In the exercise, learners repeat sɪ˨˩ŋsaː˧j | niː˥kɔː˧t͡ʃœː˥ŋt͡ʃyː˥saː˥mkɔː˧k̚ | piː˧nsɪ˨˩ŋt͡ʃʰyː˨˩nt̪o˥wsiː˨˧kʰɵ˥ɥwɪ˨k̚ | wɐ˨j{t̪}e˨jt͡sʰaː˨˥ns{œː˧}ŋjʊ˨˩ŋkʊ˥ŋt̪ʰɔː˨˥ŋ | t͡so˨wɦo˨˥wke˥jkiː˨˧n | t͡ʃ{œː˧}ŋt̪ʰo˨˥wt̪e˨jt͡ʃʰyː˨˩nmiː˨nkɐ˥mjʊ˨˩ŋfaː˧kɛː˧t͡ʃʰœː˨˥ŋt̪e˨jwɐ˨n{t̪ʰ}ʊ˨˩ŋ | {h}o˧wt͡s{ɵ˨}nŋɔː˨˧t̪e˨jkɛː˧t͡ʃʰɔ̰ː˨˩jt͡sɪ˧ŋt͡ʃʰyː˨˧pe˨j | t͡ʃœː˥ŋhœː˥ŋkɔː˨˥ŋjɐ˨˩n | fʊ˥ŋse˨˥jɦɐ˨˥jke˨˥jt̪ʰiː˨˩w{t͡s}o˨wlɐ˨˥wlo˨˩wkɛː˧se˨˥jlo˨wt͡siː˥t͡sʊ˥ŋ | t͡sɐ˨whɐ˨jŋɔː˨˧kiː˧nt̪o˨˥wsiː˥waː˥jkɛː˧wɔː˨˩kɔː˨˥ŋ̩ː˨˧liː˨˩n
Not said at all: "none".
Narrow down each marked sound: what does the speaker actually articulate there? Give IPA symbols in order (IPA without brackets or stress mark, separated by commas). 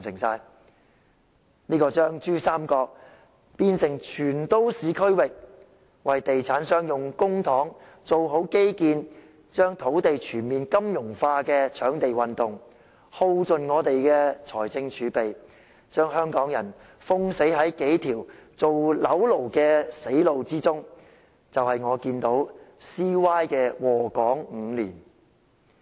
t̪, œː˥, œː˥, t̪, h, ɵ˨, t͡s